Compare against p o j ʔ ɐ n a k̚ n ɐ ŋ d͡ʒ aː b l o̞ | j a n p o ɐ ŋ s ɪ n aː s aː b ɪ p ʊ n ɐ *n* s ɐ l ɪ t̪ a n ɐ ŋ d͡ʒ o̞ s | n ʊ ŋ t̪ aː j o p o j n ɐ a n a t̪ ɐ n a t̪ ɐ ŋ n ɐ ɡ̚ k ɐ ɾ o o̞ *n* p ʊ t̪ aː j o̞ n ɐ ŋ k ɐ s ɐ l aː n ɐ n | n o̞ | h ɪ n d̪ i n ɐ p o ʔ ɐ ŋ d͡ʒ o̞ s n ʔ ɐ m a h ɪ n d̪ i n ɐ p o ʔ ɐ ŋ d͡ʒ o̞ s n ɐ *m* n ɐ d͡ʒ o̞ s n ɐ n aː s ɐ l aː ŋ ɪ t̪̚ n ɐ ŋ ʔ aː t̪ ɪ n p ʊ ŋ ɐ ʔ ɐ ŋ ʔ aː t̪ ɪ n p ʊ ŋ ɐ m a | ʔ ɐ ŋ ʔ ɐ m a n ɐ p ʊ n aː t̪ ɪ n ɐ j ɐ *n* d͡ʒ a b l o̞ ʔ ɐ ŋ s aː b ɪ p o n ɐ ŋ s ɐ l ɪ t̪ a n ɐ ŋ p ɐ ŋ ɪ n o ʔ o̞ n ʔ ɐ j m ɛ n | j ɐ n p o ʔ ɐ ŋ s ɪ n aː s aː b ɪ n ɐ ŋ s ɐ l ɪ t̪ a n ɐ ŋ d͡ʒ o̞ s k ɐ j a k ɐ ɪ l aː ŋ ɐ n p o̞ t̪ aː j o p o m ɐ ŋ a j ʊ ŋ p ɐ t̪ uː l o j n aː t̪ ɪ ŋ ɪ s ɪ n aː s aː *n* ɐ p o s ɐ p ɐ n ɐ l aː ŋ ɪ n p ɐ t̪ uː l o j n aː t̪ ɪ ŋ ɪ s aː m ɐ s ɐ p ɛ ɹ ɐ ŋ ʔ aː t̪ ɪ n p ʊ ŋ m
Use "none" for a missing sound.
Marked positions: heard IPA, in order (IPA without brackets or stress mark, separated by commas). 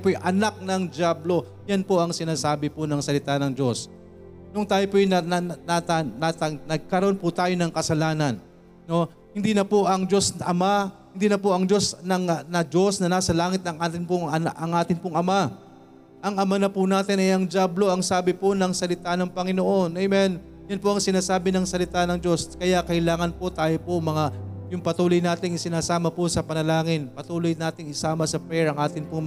ŋ, n, ŋ, ŋ, m